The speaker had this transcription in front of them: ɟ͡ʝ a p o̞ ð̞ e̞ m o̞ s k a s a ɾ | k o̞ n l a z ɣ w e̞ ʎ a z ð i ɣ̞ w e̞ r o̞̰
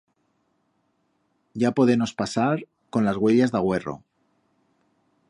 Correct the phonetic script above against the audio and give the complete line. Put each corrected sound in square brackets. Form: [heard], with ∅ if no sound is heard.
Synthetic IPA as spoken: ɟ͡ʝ a p o̞ ð̞ e̞ m o̞ s [p] a s a ɾ | k o̞ n l a z ɣ w e̞ ʎ a z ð [a] ɣ̞ w e̞ r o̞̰